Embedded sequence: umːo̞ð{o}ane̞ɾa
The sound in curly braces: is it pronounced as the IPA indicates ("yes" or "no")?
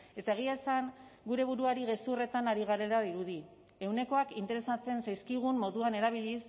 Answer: no